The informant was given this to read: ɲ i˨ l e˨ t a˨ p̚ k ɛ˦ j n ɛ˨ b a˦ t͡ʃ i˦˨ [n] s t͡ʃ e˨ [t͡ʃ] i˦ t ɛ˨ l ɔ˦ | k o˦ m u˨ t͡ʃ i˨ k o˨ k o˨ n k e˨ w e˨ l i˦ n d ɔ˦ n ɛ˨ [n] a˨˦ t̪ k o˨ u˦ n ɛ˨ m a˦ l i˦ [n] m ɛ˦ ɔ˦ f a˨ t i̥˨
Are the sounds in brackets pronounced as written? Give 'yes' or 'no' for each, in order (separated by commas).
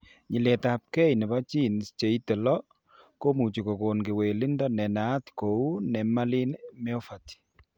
yes, no, yes, yes